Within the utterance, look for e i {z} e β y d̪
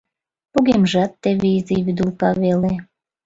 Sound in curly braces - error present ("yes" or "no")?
no